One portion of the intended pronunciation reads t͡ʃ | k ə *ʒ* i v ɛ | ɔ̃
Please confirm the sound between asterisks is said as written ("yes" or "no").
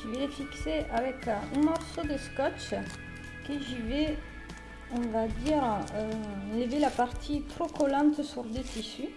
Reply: yes